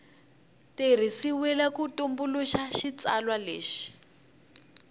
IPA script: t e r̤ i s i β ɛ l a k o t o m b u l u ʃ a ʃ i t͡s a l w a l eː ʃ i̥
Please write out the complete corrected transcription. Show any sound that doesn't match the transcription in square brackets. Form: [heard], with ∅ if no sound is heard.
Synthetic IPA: t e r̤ i s i [w] ɛ l a k [u] t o m b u l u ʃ a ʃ i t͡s a l w a l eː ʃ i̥